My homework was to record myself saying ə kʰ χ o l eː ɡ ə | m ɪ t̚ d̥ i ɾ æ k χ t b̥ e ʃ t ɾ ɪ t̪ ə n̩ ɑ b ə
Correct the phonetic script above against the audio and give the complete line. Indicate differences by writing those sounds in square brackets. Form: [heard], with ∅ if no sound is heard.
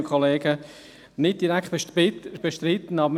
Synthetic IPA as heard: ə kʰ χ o l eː ɡ ə | [n] ɪ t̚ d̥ i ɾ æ k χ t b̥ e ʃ t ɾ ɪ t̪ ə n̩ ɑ b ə

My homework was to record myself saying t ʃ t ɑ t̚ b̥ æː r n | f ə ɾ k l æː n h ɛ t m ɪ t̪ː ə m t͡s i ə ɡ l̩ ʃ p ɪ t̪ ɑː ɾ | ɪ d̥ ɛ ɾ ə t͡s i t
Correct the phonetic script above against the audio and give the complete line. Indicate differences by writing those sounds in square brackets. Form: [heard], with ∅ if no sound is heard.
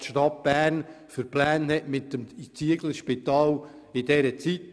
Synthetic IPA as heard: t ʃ t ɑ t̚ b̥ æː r n | f ə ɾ [p] l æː n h ɛ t m ɪ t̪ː ə m t͡s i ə ɡ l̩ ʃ p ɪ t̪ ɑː [l] | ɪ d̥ ɛ ɾ ə t͡s i t

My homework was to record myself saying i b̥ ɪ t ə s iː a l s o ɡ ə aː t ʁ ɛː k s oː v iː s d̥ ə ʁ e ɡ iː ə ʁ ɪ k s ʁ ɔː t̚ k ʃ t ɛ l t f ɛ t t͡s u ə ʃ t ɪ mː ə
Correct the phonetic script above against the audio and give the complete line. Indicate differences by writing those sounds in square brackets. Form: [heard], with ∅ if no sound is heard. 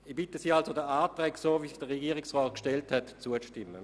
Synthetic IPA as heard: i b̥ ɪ t ə s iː a l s o [d] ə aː t ʁ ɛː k s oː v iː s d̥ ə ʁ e ɡ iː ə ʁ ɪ k s ʁ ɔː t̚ k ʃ t ɛ l t [h] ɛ t t͡s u ə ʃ t ɪ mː ə

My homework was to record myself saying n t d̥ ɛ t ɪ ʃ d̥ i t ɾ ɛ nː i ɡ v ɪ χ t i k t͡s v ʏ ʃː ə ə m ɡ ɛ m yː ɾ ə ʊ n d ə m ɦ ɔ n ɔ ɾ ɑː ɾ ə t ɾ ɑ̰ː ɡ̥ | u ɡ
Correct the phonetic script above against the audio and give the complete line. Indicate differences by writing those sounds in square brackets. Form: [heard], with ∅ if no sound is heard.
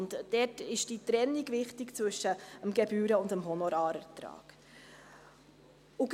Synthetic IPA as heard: n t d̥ ɛ t ɪ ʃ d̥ i t ɾ ɛ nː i ɡ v ɪ χ t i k t͡s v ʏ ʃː ə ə m ɡ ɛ [b] yː ɾ ə ʊ n d ə m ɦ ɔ n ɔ ɾ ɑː ɾ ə t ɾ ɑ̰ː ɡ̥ | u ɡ

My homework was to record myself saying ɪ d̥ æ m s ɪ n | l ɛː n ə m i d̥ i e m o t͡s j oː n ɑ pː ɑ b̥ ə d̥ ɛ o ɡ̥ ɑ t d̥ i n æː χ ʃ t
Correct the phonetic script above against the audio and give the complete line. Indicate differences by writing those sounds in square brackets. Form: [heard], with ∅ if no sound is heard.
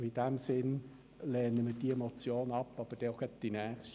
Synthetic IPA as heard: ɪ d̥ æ m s ɪ n | l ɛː n ə m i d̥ i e m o t͡s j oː n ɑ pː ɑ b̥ ə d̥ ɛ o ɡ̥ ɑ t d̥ i n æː χ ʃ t

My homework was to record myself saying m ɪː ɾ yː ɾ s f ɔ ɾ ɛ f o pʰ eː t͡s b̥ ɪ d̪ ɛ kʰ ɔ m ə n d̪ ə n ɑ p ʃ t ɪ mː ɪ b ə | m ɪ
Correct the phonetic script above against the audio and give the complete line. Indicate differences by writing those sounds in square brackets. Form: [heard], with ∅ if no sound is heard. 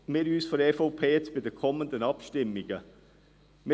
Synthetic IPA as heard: m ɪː ɾ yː [∅] s f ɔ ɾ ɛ f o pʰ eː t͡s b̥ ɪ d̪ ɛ kʰ ɔ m ə n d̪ ə n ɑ p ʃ t ɪ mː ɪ [ɡ] ə | m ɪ

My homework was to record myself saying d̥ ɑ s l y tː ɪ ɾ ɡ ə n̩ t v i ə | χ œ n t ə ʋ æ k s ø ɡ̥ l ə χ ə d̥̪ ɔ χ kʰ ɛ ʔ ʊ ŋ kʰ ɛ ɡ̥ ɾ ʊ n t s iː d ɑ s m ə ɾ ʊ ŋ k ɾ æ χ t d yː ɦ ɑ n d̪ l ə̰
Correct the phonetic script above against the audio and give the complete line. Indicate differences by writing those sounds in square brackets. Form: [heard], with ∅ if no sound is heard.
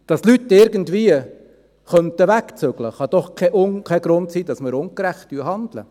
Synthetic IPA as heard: d̥ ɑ s l y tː ɪ ɾ ɡ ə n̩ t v i ə | χ œ n t ə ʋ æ k [t͡s] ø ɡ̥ l ə χ [ɑ] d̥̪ ɔ χ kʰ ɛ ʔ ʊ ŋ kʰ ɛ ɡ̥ ɾ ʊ n t s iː d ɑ s m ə ɾ ʊ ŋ k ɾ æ χ t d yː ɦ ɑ n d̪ l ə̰

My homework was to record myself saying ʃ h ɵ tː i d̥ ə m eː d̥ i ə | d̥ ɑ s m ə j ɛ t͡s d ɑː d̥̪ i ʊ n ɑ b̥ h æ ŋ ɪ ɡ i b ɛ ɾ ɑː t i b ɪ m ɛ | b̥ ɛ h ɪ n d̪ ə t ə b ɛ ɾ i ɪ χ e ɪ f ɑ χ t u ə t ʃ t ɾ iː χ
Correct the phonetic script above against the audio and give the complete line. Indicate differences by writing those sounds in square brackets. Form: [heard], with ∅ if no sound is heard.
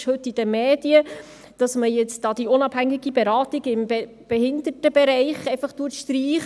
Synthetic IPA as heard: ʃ h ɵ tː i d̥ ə m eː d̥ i ə | d̥ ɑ s m ə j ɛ t͡s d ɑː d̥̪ i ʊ n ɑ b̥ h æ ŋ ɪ ɡ i b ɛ ɾ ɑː t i [ɡ] ɪ m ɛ | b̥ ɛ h ɪ n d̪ ə t ə b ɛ ɾ [ɛ] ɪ χ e ɪ f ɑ χ t u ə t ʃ t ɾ iː χ

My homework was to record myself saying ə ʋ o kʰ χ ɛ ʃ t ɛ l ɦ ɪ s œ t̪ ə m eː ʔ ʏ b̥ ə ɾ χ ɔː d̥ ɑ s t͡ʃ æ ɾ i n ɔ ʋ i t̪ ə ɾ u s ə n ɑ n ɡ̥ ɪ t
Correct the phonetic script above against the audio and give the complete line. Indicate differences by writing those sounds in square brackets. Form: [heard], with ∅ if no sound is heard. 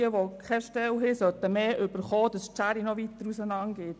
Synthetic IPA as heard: ə ʋ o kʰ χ ɛ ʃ t ɛ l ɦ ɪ s œ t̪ ə m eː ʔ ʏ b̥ ə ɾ χ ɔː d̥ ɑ s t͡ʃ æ ɾ i n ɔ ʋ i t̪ ə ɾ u s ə n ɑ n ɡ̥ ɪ t

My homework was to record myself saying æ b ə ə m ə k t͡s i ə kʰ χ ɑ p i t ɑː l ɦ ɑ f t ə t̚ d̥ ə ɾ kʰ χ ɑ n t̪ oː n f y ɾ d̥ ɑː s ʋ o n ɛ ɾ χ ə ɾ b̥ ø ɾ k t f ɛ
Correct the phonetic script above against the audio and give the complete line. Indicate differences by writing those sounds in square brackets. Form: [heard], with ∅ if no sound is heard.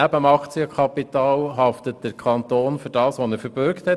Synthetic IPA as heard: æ b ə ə m [ɑ] k t͡s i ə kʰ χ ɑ p i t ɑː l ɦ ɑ f t ə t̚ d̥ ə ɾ kʰ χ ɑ n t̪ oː n f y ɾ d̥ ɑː s ʋ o n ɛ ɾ [f] ə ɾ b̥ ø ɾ k t [h] ɛ

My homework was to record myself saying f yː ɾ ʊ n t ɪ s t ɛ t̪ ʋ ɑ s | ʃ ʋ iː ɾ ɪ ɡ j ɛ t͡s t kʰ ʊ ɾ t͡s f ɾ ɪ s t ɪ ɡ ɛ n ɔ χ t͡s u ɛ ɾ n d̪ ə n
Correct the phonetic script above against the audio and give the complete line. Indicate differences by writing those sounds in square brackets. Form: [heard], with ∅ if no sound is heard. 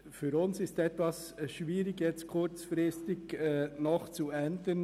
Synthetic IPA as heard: f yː ɾ ʊ n [s] ɪ s t ɛ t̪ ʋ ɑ s | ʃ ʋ iː ɾ ɪ ɡ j ɛ t͡s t kʰ ʊ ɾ t͡s f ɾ ɪ s t ɪ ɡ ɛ n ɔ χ t͡s u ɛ [∅] n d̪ ə n

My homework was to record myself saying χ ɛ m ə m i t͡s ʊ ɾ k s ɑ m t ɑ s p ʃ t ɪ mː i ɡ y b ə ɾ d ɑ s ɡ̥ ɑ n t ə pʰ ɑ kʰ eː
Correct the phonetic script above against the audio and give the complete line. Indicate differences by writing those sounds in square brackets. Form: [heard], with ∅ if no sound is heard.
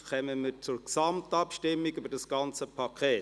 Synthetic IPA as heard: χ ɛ m ə m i t͡s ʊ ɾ k s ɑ m t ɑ [∅] p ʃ t ɪ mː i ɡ y b ə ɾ d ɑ s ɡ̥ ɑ n [t͡s] ə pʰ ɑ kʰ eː

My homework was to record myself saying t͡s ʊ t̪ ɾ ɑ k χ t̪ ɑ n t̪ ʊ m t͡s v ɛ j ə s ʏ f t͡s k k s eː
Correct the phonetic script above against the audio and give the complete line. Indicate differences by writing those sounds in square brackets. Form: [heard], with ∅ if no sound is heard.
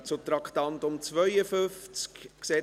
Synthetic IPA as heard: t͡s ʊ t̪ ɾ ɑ k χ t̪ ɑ n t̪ ʊ m t͡s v [œ] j ə [f] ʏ f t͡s k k s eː

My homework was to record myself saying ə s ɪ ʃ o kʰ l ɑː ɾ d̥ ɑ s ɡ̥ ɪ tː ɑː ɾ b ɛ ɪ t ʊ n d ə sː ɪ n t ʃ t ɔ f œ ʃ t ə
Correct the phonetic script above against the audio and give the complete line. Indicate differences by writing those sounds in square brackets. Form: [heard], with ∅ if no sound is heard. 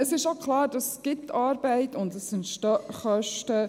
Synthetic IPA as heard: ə s ɪ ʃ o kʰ l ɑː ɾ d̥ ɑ s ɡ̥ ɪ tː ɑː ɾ b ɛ ɪ t ʊ n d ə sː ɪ n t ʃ t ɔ [χ] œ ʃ t ə

